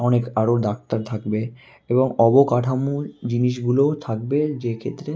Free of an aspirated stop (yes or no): no